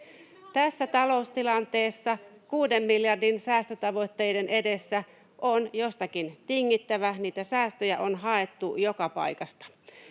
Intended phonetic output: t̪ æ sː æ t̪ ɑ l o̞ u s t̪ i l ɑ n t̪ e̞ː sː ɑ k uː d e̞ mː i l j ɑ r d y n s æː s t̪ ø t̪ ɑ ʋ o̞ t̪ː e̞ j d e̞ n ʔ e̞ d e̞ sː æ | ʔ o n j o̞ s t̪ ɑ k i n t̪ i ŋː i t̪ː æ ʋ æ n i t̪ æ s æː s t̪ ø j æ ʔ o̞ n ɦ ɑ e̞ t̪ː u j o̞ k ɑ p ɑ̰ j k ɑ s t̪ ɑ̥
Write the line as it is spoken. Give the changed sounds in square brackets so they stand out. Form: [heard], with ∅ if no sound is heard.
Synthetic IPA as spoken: t̪ æ sː æ t̪ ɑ l o̞ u s t̪ i l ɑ n t̪ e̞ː sː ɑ k uː d e̞ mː i l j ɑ r d [i] n s æː s t̪ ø t̪ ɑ ʋ o̞ t̪ː e̞ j d e̞ n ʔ e̞ d e̞ sː æ | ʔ o n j o̞ s t̪ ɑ k i n t̪ i ŋː i t̪ː æ ʋ æ n [iː] t̪ æ s æː s t̪ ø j æ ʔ o̞ n ɦ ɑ e̞ t̪ː u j o̞ k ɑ p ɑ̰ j k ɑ s t̪ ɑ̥